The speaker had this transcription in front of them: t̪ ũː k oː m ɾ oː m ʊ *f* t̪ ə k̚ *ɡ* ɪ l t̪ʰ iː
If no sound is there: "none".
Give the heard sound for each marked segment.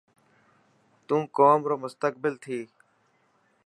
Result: s, b

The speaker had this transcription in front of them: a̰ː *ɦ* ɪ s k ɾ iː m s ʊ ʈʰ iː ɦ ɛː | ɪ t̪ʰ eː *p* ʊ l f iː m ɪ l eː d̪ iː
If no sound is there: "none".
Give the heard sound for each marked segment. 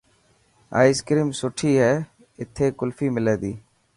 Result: none, k

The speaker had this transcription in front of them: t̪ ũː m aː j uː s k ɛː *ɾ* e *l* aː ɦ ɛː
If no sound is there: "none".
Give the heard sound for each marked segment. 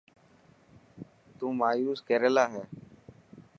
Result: ɾ, l

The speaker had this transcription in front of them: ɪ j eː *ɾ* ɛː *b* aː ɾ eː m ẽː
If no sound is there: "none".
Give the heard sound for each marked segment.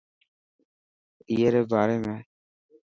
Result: ɾ, b

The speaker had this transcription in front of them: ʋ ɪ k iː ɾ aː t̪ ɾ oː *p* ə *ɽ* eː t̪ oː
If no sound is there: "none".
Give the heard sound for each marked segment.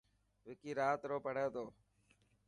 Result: p, ɽ

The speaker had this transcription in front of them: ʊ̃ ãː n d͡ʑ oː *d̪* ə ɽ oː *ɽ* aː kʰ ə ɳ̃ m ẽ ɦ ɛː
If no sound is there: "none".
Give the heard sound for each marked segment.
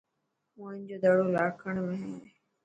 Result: d̪, l

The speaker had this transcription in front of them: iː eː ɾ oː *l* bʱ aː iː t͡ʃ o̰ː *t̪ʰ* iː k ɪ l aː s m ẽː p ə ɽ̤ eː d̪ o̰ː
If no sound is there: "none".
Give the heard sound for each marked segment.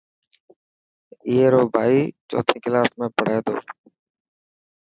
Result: none, t̪ʰ

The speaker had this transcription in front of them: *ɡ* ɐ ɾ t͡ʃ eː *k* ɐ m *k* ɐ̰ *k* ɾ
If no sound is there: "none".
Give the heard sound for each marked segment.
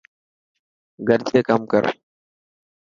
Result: ɡ, k, k, none

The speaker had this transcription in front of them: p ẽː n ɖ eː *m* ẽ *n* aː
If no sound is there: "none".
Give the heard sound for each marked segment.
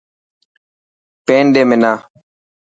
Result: m, n

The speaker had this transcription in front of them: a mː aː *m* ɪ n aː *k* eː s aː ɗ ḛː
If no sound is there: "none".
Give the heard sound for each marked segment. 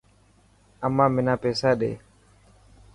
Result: m, p

